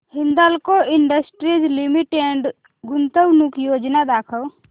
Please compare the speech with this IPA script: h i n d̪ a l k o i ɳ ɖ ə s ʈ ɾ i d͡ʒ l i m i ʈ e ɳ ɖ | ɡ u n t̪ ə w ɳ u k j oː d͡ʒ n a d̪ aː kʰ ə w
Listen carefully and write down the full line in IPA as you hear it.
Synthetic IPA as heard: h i n d̪ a l k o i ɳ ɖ ə s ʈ ɾ i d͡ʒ l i m i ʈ e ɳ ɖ | ɡ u n t̪ ə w n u k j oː d͡ʒ n a d̪ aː kʰ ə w